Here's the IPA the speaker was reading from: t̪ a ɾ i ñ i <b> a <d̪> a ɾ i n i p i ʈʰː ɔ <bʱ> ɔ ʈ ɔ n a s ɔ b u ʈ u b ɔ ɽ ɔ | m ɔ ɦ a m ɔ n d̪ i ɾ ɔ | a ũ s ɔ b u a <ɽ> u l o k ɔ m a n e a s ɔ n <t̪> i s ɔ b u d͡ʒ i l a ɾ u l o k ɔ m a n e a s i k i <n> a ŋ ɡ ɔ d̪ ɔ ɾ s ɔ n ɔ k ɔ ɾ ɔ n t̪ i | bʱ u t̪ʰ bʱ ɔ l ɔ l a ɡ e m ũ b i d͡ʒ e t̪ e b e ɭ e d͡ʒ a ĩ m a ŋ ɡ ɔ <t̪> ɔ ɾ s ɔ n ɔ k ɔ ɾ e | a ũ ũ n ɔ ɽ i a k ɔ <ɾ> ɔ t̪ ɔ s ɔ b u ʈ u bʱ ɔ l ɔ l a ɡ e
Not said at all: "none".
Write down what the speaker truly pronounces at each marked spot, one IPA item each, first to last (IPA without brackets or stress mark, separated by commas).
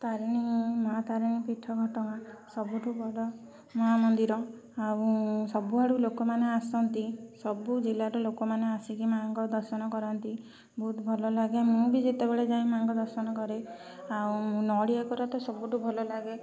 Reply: m, t̪, ɡʱ, ɽ, t̪, m, d̪, ɾ